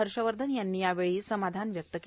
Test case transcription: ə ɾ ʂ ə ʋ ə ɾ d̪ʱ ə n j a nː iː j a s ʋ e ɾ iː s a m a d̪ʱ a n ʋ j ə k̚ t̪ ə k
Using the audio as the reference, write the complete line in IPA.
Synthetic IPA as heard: ə ɾ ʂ ə ʋ ə ɾ d̪ʱ ə n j a nː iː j a ʋ e ɭ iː s ə m a d̪ʱ a n ʋ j ə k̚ t̪ ə k

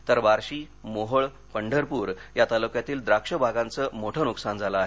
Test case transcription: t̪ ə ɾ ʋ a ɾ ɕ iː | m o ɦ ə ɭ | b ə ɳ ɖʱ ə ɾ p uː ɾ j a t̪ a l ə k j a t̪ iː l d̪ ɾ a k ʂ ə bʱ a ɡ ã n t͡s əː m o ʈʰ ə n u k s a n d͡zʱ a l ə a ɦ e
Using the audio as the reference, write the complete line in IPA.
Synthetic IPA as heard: t̪ ə ɾ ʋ a ɾ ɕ iː | m o ɦ ə ɭ | p ə ɳ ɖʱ ə ɾ p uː ɾ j a t̪ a l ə k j a t̪ iː l d̪ ɾ a k ʂ ə bʱ a ɡ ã n t͡s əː m o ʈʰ ə n u k s a n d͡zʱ a l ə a ɦ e

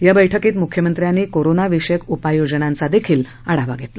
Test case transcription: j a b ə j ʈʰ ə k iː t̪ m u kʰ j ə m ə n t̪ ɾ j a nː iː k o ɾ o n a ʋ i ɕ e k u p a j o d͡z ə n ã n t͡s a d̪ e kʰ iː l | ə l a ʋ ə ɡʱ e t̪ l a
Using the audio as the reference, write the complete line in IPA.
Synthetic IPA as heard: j a b ə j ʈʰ ə k iː t̪ m u kʰ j ə m ə n t̪ ɾ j a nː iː k o ɾ o n a ʋ i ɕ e k u p a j o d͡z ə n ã n t͡s a d̪ e kʰ iː l | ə ɽ a ʋ a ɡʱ e t̪ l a

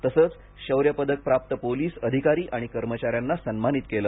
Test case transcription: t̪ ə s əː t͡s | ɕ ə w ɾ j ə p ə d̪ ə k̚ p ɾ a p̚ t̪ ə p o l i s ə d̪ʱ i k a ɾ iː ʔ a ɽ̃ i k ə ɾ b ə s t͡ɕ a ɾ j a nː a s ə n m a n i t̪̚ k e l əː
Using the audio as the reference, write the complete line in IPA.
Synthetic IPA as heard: t̪ ə s əː t͡s | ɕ ə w ɾ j ə p ə d̪ ə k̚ p ɾ a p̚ t̪ ə p o l iː s ə d̪ʱ i k a ɾ iː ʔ a ɽ̃ i k ə ɾ m ə t͡ɕ a ɾ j a nː a s ə n m a n i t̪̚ k e l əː

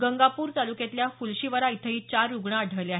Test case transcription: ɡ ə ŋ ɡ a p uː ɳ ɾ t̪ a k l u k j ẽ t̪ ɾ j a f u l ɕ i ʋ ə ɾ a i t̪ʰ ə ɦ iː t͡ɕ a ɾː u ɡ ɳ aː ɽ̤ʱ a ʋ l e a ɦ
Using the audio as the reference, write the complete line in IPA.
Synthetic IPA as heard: ɡ ə ŋ ɡ a p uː ɾ t̪ a l u k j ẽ t̪ l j a f u l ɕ i ʋ ə ɾ a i t̪ʰ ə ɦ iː t͡ɕ a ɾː u ɡ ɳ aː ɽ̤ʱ ə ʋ l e a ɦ

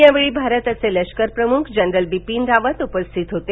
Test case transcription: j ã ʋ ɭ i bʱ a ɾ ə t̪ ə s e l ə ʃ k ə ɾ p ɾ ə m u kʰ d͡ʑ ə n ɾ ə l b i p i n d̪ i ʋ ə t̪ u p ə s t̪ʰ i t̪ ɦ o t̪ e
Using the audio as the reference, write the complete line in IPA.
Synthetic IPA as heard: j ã ʋ ɭ i bʱ a ɾ ə t̪ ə s e l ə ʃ k ə ɾ p ɾ ə m u kʰ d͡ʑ ə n ɾ ə l b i p i n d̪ a ʋ ə t̪ u p ə s t̪ʰ i t̪ ɦ o t̪ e

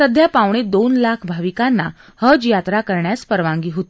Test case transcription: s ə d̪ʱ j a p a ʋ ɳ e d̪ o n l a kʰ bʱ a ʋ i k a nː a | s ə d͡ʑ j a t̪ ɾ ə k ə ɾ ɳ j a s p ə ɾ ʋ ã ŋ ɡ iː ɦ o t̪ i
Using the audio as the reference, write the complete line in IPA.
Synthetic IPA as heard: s ə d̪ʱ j a p a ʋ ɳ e d̪ o n l a kʰ bʱ a ʋ i k a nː a | h ə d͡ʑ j a t̪ ɾ a k ə ɾ ɳ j a s p ə ɾ ʋ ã ŋ ɡ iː ɦ o t̪ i

